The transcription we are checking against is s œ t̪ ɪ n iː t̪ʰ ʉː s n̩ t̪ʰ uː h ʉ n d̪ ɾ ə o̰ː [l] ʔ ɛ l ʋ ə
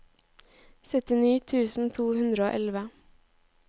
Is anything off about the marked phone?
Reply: yes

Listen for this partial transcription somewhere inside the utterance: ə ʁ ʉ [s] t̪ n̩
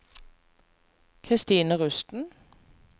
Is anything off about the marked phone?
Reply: no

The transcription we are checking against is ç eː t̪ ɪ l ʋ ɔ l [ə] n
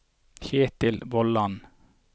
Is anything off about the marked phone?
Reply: yes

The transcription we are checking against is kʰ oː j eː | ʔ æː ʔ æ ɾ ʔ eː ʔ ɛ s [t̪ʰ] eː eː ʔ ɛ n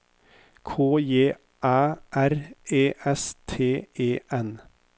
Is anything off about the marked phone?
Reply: no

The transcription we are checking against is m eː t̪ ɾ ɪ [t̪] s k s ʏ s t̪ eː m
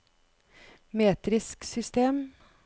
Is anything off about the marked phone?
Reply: yes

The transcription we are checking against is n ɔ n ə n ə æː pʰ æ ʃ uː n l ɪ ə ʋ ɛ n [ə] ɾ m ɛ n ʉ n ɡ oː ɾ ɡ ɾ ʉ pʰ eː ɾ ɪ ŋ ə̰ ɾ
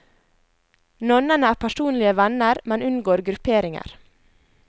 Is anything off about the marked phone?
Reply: no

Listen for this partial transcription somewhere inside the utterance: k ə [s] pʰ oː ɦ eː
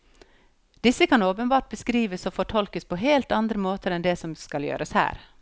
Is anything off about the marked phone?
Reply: no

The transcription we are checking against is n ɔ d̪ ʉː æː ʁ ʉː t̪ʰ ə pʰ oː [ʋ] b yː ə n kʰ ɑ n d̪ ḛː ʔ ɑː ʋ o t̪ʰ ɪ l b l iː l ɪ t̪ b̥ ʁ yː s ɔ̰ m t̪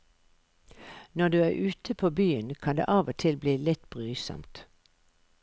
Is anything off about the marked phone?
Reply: yes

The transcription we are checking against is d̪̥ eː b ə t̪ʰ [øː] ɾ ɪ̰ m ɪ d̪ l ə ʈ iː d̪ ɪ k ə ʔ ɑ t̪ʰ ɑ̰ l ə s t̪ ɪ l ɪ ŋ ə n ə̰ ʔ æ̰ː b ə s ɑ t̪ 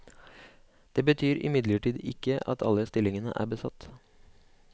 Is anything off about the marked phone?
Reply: yes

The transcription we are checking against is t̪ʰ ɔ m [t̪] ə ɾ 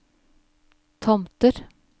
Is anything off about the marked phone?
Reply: no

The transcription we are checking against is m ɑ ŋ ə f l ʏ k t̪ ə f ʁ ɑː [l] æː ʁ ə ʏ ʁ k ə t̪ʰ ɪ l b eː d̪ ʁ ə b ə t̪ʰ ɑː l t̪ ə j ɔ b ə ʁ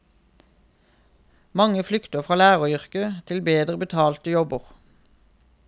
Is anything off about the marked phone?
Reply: no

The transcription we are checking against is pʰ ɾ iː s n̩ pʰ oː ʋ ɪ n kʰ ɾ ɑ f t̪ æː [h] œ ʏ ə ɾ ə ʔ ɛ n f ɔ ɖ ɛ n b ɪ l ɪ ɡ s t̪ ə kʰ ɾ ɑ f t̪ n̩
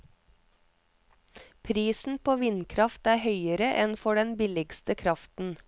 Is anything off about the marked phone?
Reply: no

